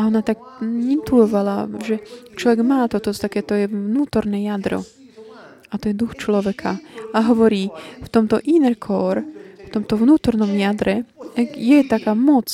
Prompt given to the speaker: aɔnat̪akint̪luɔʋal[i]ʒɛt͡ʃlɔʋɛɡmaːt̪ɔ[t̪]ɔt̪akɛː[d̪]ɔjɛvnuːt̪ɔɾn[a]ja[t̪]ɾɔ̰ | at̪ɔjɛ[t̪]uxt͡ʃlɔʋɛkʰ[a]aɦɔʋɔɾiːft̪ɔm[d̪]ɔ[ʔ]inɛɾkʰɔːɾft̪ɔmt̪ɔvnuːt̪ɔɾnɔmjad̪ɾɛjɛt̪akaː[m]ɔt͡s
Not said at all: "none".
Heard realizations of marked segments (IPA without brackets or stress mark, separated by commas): a, t̪, t̪, ɛ, d̪, d̪, a, t̪, ʔ, m